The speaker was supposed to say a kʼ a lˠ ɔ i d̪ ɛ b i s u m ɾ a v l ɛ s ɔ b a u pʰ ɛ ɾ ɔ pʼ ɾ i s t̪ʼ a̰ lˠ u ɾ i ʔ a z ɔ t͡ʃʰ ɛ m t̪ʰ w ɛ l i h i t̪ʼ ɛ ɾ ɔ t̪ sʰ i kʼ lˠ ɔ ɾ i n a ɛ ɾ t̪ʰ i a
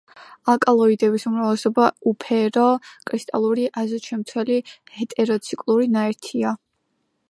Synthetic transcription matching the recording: a kʼ a lˠ ɔ i d̪ ɛ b i s u m ɾ a v l ɛ s ɔ b a u pʰ ɛ ɾ ɔ kʼ ɾ i s t̪ʼ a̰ lˠ u ɾ i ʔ a z ɔ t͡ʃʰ ɛ m t̪ʰ w ɛ l i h ɛ t̪ʼ ɛ ɾ ɔ t̪ sʰ i kʼ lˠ u ɾ i n a ɛ ɾ t̪ʰ i a